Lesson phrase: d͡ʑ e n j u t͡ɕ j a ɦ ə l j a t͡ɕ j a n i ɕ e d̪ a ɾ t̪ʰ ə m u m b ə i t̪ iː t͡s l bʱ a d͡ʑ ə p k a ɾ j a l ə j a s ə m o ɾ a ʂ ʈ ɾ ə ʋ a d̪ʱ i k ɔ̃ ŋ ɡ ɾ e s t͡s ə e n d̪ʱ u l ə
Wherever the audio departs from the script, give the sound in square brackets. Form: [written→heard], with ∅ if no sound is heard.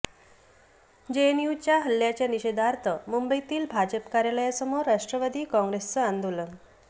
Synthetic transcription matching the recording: d͡ʑ e n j u t͡ɕ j a ɦ ə l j a t͡ɕ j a n i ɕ e d̪ a ɾ t̪ʰ ə m u m b ə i t̪ iː [t͡s→∅] l bʱ a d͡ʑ ə p k a ɾ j a l ə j a s ə m o ɾ a ʂ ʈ ɾ ə ʋ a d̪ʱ [i→iː] k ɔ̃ ŋ ɡ ɾ e s t͡s ə [e→a] n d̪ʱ u l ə